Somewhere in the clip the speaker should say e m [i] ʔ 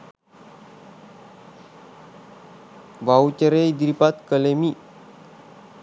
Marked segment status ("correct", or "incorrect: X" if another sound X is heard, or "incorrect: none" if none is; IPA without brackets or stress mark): correct